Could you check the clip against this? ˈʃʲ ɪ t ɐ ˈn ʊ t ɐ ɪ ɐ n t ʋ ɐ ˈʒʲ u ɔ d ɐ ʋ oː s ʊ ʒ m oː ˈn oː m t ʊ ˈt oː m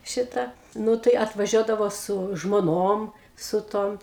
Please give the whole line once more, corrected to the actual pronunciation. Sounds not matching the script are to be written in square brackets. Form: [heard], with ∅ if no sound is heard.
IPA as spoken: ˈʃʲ ɪ t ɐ ˈn ʊ t ɐ ɪ ɐ [∅] t ʋ ɐ ˈʒʲ u ɔ d ɐ ʋ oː s ʊ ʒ m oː ˈn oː m [s] ʊ ˈt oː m